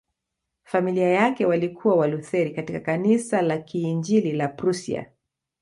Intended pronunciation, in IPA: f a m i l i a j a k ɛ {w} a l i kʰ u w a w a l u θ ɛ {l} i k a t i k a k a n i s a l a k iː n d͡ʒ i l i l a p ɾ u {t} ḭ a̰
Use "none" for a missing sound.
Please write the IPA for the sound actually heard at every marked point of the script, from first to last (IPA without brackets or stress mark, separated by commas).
w, ɾ, s